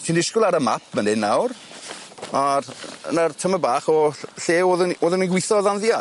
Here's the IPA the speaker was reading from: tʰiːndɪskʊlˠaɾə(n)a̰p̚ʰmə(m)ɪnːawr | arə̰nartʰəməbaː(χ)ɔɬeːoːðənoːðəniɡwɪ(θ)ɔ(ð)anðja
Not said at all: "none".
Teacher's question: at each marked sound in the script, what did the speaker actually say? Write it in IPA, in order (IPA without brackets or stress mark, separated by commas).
m, n, χ, θ, ð